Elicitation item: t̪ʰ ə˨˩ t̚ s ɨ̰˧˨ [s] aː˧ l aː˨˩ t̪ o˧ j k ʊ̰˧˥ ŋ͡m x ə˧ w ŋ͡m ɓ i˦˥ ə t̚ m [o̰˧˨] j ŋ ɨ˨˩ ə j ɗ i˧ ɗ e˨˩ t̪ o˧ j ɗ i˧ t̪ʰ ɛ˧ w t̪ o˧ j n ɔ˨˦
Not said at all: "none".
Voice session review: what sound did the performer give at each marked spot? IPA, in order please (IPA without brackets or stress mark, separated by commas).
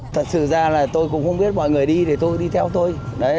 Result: z, ɔ̰˧˨